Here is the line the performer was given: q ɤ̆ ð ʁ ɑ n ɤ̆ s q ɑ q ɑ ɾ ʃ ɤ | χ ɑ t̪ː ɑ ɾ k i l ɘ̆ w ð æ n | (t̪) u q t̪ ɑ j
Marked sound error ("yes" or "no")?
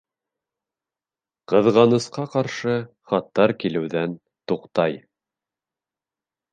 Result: no